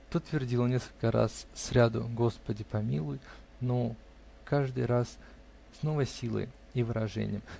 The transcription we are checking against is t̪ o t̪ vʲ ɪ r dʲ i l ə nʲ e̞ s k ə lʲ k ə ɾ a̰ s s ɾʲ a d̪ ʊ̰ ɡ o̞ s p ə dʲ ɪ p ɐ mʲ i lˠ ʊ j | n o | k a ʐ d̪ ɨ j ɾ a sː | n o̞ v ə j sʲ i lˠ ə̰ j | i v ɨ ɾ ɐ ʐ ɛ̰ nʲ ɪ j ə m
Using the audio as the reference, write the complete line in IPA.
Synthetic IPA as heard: t̪ o t̪ vʲ ɪ r dʲ i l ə nʲ e̞ s k ə lʲ k ə ɾ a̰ s s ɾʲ a d̪ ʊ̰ ɡ o̞ s p ə dʲ ɪ p ɐ mʲ i lˠ ʊ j | n o | k a ʐ d̪ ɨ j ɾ a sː | n o̞ v ə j sʲ i lˠ ə̰ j | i v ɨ ɾ ɐ ʐ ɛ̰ nʲ ɪ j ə m

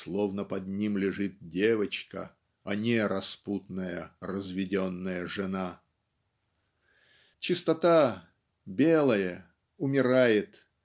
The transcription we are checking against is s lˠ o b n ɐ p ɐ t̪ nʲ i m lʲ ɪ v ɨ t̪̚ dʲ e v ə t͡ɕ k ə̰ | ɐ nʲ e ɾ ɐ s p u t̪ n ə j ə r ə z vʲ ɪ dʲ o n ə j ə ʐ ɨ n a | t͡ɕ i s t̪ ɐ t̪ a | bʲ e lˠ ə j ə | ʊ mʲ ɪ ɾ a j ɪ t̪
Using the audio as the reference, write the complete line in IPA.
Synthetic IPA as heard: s lˠ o v n ə p ɐ d̪ nʲ i m lʲ ɪ ʐ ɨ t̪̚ dʲ e v ə t͡ɕ k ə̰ | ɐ nʲ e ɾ ɐ s p u t̪ n ə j ə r ə z vʲ ɪ dʲ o nː ə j ə ʐ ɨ n a | t͡ɕ ɪ s t̪ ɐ t̪ a | bʲ e lˠ ə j ə | ʊ mʲ ɪ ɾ a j ɪ t̪

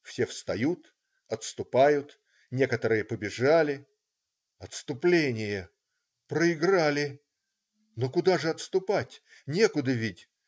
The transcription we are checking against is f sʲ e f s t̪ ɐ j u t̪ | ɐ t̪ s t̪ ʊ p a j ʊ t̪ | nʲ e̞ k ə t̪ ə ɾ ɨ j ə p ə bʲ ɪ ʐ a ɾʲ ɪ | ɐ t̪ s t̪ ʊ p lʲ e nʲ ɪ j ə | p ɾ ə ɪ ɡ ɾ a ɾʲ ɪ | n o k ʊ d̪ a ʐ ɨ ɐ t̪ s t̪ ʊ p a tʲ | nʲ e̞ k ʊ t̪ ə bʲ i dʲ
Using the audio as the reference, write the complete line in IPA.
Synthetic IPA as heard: f sʲ e f s t̪ ɐ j u t̪ | ɐ t̪ s t̪ ʊ p a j ʊ t̪ | nʲ e̞ k ə t̪ ə ɾ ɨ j ə p ə bʲ ɪ ʐ a lʲ ɪ | ɐ t̪ s t̪ ʊ p lʲ e nʲ ɪ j ə | p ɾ ə ɪ ɡ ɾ a lʲ ɪ | n o k ʊ d̪ a ʐ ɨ ɐ t̪ s t̪ ʊ p a tʲ | nʲ e̞ k ʊ d̪ ə vʲ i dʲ

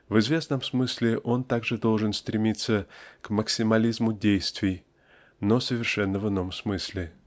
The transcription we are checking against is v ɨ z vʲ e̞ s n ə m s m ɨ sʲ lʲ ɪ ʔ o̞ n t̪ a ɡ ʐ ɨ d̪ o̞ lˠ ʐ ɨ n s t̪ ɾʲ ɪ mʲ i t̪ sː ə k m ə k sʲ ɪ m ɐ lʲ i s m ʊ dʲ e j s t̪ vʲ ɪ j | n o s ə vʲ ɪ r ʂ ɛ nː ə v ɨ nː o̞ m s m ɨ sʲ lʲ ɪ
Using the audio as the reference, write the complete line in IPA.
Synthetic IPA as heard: v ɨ z vʲ e̞ s n ə m s m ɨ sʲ lʲ ɪ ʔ o̞ n t̪ a ɡ ʐ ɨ d̪ o̞ lˠ ʐ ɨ n s t̪ ɾʲ ɪ mʲ i t̪ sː ə k m ə k sʲ ɪ m ɐ lʲ i z m ʊ dʲ e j s t̪ vʲ ɪ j | n o s ə vʲ ɪ r ʂ ɛ nː ə v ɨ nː o̞ m s m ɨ sʲ lʲ ɪ

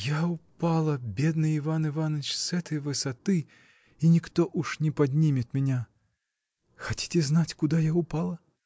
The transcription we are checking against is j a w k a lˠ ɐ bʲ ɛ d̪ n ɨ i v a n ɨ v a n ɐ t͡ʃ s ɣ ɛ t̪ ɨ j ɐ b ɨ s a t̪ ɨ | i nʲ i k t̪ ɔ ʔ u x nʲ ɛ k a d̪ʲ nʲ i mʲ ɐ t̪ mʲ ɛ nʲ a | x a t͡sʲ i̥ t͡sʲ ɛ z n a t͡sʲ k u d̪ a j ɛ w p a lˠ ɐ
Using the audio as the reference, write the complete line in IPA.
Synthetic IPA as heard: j a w p a lˠ ɐ bʲ ɛ d̪ n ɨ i v a n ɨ v a n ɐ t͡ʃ s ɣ ɛ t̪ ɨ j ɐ v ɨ s a t̪ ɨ | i nʲ i k t̪ ɔ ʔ u ʂ nʲ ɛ p a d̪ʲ nʲ i mʲ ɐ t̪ mʲ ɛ nʲ a | x a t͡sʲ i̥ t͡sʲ ɛ z n a t͡sʲ k u d̪ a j a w p a lˠ ɐ

